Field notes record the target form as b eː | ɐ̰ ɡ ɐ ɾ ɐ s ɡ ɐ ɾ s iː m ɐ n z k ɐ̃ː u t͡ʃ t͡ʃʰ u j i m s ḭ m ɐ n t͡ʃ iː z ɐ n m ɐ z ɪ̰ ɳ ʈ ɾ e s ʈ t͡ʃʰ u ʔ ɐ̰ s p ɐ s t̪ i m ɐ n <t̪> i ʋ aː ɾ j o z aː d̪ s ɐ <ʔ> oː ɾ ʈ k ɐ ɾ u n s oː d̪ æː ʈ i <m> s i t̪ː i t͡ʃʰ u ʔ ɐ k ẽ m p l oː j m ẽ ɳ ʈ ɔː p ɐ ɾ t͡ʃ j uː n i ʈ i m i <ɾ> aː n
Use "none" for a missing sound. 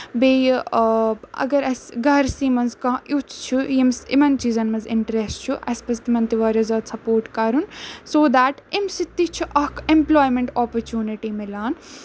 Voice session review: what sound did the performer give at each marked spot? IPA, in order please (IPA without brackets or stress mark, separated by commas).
t̪, p, m, l